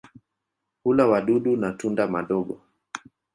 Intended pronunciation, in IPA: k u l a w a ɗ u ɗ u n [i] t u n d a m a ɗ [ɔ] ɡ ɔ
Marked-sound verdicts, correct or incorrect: incorrect, correct

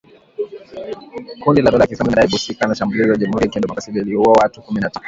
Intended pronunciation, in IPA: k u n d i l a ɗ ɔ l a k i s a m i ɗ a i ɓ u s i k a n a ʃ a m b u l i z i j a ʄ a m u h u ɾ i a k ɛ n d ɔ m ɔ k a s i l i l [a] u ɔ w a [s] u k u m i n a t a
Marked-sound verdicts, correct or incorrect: incorrect, incorrect

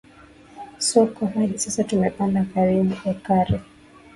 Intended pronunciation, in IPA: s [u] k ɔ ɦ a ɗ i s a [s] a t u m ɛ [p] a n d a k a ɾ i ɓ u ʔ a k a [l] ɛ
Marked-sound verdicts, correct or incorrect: incorrect, correct, correct, incorrect

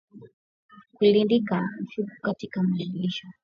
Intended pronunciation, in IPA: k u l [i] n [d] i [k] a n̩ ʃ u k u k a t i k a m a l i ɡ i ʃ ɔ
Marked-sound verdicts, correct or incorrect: correct, correct, correct

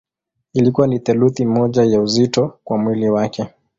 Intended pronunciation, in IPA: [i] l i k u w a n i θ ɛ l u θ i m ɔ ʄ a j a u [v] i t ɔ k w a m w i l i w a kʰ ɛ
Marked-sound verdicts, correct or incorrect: correct, incorrect

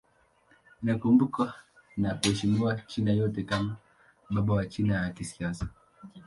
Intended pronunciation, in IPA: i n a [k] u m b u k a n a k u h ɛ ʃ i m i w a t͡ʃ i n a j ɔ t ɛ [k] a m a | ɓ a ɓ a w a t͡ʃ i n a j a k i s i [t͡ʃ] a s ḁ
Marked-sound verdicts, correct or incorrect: correct, correct, incorrect

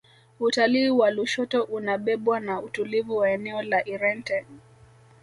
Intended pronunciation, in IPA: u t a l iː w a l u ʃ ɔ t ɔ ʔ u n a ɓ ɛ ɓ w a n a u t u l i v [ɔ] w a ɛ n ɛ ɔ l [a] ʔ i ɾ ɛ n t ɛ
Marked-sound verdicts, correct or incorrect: incorrect, correct

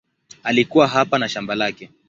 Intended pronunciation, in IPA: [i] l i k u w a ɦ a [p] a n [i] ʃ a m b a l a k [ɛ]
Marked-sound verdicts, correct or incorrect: incorrect, correct, incorrect, correct

